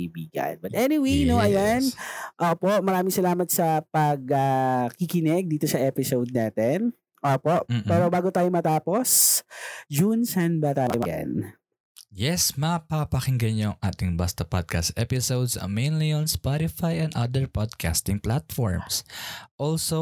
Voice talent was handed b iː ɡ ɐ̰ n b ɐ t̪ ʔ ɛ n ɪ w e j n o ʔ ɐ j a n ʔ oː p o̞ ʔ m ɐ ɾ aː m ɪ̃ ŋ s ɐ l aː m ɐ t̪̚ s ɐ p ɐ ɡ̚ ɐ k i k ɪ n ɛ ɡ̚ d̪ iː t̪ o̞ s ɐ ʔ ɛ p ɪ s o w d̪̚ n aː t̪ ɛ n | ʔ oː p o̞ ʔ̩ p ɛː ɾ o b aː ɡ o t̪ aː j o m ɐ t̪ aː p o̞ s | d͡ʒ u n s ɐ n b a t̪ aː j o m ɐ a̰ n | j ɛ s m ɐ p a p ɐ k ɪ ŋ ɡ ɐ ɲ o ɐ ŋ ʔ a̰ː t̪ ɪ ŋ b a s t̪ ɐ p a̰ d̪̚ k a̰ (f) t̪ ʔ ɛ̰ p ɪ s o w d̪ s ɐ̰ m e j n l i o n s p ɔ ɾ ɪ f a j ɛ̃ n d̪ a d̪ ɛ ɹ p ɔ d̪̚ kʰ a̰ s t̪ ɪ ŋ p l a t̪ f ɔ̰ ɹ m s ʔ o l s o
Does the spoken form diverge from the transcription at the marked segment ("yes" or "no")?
yes